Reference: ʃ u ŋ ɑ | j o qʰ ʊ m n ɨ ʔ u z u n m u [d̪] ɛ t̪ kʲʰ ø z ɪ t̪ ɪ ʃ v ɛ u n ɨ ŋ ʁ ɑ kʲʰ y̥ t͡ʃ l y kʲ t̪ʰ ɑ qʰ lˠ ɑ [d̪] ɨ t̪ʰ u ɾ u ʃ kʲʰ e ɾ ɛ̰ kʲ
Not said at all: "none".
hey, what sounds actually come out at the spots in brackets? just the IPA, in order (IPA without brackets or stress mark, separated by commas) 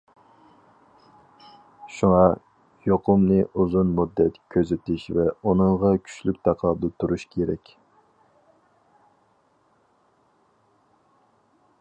d̪ː, d̪